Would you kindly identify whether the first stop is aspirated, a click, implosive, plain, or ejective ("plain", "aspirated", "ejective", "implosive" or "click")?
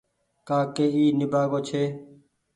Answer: plain